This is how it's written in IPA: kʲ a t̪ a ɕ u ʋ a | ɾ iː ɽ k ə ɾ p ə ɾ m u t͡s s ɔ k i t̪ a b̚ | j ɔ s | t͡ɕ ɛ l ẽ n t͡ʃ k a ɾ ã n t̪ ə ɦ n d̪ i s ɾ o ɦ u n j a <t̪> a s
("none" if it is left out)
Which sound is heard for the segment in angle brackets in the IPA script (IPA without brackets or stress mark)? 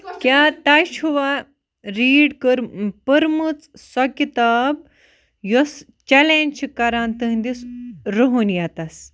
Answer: t̪